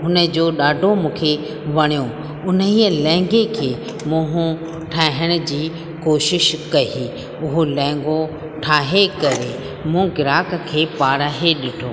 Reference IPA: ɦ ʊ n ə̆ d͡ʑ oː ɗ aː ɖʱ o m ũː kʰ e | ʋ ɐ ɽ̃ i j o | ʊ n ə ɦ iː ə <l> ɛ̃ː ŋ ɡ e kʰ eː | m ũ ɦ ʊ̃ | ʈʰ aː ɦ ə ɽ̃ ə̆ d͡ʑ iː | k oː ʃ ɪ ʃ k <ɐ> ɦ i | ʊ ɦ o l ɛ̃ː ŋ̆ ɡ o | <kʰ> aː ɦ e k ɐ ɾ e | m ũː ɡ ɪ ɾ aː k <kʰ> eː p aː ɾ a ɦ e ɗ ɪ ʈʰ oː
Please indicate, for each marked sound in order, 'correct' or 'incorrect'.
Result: correct, correct, incorrect, correct

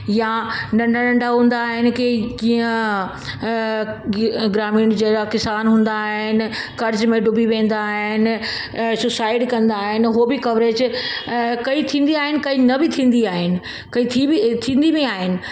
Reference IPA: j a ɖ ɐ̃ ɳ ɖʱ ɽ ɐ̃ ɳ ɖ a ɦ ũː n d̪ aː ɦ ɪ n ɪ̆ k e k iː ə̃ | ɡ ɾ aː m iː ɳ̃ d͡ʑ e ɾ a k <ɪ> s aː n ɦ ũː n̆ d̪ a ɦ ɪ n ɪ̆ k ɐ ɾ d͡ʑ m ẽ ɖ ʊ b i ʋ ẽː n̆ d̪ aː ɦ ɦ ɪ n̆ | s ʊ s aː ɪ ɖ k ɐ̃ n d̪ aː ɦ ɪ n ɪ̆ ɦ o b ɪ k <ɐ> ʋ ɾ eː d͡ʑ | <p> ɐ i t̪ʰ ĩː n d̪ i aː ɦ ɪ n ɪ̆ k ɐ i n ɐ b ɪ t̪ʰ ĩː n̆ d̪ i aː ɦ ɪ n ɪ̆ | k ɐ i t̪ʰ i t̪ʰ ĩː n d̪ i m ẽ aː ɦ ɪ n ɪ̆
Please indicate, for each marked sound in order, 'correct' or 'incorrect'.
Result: correct, correct, incorrect

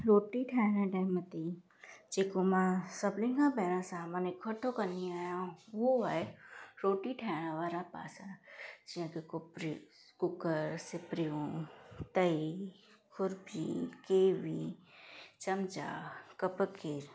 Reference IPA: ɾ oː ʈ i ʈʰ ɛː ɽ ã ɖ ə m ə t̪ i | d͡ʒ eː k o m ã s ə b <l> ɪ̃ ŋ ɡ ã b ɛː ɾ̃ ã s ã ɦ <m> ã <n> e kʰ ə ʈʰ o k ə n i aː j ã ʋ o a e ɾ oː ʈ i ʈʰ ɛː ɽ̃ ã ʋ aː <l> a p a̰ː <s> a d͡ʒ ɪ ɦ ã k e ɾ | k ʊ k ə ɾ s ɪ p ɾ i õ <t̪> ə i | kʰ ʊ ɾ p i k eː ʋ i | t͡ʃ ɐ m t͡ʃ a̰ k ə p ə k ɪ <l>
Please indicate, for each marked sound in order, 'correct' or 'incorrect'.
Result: correct, correct, correct, incorrect, correct, correct, incorrect

